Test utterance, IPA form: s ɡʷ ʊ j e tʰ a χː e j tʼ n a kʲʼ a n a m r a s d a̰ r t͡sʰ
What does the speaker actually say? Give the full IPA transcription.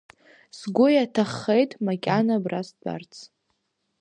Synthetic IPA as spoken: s ɡʷ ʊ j a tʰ a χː e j tʼ m a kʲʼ a n a b r a s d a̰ r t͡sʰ